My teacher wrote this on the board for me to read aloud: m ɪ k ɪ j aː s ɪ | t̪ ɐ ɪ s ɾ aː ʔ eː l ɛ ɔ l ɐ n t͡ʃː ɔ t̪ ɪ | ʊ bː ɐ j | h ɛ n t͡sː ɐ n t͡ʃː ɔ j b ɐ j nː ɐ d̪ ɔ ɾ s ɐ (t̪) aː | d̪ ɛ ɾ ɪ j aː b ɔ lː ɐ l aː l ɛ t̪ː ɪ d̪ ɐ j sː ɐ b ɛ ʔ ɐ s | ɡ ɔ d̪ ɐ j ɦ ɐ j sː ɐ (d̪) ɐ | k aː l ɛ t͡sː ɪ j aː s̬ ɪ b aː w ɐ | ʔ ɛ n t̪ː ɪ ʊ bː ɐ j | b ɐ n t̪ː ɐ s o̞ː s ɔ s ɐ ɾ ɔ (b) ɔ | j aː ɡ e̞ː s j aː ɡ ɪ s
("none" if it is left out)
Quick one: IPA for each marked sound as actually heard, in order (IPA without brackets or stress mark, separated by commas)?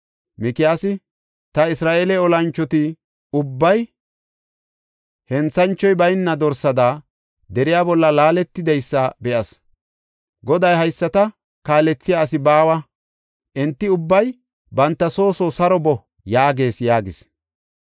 d̪, t̪, b